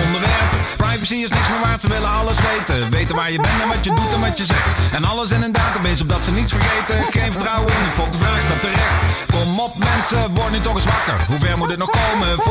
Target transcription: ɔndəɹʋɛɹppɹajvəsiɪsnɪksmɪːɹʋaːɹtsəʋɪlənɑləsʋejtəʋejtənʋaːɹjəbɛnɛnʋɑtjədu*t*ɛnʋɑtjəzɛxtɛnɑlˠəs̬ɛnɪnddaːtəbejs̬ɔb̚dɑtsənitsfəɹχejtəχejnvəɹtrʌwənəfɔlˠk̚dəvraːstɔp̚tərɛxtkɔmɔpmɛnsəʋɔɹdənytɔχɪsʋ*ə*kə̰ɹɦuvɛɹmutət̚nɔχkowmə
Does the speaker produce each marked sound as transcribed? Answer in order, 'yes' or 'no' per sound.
yes, no

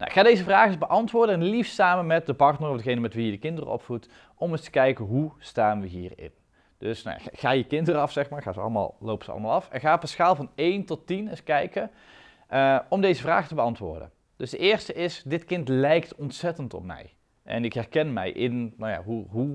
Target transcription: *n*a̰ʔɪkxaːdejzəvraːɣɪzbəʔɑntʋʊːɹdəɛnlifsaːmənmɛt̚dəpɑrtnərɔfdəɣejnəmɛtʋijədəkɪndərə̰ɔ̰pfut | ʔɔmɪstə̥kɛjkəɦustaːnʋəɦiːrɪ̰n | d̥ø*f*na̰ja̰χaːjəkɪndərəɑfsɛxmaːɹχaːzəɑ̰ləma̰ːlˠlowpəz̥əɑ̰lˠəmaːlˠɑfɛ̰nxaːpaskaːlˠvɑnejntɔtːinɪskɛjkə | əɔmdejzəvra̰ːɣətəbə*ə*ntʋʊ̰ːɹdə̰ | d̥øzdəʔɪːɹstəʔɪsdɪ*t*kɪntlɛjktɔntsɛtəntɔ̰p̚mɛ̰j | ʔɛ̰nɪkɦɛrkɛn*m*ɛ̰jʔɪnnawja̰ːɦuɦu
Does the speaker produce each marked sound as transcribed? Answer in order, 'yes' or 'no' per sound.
yes, no, no, yes, yes

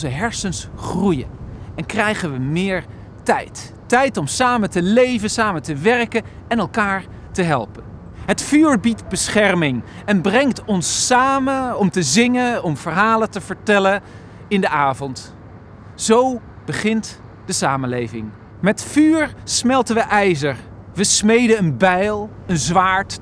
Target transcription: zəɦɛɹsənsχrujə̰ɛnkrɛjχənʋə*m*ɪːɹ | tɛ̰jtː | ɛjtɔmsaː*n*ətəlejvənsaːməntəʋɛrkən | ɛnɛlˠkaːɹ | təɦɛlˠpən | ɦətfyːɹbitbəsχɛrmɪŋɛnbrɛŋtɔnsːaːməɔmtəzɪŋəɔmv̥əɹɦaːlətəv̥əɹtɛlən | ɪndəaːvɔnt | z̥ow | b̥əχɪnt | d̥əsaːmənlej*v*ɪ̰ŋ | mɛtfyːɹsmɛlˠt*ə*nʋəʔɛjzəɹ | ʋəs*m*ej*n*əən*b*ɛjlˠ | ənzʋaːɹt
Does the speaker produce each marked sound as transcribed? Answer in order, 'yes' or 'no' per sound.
yes, no, yes, yes, yes, no, yes

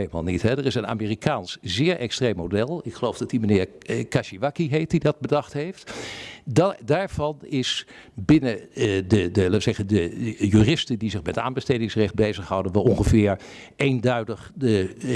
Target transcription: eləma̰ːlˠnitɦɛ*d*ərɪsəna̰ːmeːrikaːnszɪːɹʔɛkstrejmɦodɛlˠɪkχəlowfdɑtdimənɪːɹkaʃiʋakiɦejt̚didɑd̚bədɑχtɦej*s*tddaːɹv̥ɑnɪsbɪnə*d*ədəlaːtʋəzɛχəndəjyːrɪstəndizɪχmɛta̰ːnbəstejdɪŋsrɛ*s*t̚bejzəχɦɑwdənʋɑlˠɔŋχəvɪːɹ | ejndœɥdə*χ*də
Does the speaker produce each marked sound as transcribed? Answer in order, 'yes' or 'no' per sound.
yes, no, yes, no, yes

